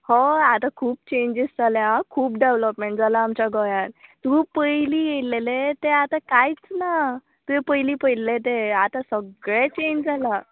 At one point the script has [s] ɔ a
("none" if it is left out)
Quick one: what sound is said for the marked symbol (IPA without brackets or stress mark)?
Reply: h